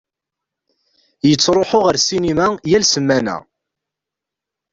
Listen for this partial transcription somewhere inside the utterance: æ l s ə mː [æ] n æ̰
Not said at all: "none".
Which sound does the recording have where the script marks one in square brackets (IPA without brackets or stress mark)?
æ